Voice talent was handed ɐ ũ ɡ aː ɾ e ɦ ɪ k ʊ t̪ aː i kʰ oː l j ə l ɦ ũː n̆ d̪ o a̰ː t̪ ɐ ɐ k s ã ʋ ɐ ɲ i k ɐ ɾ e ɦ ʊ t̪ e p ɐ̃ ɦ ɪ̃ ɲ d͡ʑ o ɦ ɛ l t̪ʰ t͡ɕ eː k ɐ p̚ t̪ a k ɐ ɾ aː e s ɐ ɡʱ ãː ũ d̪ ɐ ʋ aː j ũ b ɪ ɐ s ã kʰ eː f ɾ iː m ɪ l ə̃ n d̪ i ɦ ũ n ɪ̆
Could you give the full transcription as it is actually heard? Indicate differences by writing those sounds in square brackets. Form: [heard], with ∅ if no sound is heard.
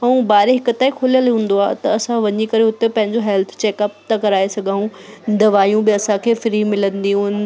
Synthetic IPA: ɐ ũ [b] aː ɾ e ɦ ɪ k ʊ t̪ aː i kʰ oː l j ə l ɦ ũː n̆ d̪ o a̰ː t̪ ɐ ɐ [∅] s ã ʋ ɐ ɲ i k ɐ ɾ e ɦ ʊ t̪ e p ɐ̃ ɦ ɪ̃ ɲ d͡ʑ o ɦ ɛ l t̪ʰ t͡ɕ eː k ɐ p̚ t̪ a k ɐ ɾ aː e s ɐ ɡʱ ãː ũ d̪ ɐ ʋ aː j ũ b ɪ ɐ s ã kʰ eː f ɾ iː m ɪ l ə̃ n d̪ i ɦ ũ n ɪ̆